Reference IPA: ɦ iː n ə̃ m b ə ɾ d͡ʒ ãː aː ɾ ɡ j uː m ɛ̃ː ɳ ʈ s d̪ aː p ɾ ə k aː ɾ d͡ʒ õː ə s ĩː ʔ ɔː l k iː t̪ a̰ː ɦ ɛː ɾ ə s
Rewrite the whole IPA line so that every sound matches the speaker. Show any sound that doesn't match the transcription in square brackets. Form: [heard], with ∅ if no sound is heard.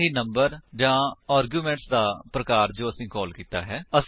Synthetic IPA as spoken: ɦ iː n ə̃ m b ə ɾ d͡ʒ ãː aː ɾ ɡ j uː m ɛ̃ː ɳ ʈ s d̪ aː p ɾ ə k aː ɾ d͡ʒ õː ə s ĩː [k] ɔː l k iː t̪ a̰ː ɦ ɛː [∅] ə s